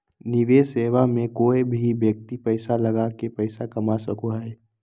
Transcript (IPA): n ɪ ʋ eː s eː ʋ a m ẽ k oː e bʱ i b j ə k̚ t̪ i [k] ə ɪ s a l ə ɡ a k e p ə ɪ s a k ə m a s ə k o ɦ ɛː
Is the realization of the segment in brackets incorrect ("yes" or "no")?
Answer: yes